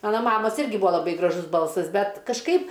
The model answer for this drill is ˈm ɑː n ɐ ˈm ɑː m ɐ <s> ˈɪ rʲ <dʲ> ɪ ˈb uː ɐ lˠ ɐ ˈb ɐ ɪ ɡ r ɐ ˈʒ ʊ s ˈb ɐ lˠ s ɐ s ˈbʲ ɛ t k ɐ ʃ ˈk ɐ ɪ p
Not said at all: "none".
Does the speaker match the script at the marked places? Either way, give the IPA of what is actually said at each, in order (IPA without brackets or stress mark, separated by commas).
s, ɡʲ